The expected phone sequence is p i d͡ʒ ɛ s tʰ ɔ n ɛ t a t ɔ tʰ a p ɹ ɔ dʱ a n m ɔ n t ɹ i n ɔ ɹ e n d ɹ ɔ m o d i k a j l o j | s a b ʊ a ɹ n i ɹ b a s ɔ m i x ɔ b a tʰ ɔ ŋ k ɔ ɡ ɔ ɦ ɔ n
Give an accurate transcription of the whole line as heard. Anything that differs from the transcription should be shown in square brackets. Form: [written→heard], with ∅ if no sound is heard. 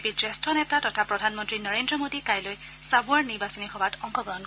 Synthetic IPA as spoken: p i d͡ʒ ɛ s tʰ ɔ n ɛ t a t ɔ tʰ a p ɹ ɔ dʱ a n m ɔ n t ɹ i n ɔ ɹ e n d ɹ ɔ m o d i k a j l o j | s a b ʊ a ɹ n i ɹ b a s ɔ [m→n] i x ɔ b a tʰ ɔ ŋ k ɔ ɡ ɔ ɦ ɔ n